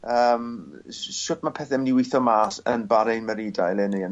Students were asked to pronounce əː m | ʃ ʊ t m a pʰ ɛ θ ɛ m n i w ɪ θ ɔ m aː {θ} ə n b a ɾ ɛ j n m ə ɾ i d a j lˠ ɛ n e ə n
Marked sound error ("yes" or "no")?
yes